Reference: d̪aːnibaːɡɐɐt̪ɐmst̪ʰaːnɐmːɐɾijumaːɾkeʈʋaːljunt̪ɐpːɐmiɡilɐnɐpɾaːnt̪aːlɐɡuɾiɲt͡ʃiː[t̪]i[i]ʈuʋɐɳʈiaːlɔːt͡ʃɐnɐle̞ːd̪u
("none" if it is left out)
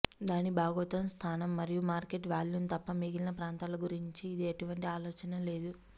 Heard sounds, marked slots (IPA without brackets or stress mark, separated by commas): d̪, e